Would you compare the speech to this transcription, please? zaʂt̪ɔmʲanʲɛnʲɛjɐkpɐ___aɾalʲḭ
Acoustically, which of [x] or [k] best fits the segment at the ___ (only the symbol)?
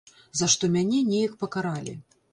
k